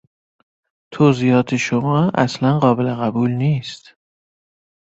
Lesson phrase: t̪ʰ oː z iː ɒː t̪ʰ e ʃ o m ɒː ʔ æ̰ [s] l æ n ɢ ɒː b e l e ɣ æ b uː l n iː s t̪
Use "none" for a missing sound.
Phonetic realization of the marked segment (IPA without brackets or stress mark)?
s